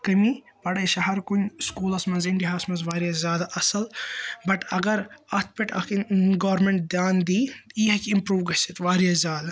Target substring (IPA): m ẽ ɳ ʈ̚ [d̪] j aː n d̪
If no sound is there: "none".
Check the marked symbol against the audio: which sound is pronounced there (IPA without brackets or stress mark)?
d̪